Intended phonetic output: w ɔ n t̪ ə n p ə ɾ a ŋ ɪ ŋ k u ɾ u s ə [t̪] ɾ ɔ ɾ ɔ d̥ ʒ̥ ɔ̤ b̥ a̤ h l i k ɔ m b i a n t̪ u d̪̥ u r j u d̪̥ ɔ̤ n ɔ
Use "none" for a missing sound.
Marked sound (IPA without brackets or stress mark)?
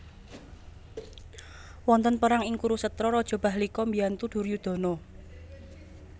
t̪